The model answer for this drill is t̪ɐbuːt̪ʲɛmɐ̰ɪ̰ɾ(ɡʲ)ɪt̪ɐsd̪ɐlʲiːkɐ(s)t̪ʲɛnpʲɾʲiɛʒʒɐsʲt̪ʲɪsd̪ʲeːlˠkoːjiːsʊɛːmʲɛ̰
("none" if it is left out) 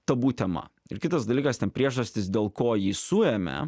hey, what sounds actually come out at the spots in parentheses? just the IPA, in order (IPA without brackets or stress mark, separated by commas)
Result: kʲ, s